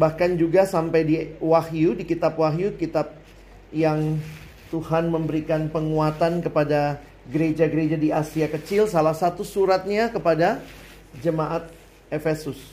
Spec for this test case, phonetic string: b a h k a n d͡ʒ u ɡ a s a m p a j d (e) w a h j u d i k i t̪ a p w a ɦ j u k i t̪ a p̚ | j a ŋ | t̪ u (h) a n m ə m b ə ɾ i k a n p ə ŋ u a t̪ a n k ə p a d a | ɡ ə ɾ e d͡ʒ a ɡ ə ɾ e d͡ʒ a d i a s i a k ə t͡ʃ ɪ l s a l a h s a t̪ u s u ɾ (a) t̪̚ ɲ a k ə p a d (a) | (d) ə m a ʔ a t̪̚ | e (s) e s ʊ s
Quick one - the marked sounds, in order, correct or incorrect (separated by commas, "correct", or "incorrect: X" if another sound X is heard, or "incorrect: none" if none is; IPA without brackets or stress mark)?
incorrect: i, correct, correct, correct, incorrect: d͡ʒ, incorrect: f